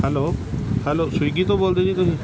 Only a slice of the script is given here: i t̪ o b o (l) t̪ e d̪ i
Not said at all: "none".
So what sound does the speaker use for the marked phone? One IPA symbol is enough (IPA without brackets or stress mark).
l